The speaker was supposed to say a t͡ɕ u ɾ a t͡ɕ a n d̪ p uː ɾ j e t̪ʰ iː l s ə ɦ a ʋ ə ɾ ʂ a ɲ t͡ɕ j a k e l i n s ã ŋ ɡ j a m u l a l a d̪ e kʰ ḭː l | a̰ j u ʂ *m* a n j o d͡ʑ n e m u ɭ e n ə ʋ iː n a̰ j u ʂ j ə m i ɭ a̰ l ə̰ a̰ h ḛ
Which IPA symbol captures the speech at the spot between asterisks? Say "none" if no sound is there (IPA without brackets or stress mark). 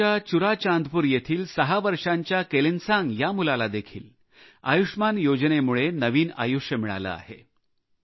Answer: m